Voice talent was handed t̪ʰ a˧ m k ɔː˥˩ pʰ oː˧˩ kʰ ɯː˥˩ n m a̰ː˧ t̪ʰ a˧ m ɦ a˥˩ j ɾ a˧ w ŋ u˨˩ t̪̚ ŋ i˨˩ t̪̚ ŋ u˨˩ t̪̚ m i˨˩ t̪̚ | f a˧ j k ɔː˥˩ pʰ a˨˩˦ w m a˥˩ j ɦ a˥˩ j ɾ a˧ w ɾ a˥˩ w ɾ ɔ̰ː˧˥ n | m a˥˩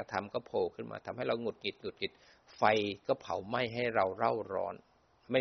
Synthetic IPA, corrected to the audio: t̪ʰ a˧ m k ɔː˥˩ pʰ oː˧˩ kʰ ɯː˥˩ n m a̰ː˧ t̪ʰ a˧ m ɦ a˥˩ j ɾ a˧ w ŋ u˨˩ t̪̚ ŋ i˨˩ t̪̚ ŋ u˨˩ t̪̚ ŋ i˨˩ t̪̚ | f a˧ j k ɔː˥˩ pʰ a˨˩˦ w m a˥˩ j ɦ a˥˩ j ɾ a˧ w ɾ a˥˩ w ɾ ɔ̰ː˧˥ n | m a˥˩